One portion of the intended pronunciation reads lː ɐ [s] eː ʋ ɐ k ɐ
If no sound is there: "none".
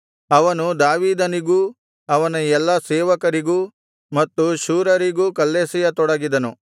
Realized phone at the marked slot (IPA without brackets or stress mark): s